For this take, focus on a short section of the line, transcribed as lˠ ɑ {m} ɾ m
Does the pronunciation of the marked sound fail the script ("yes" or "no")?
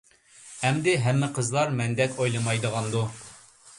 yes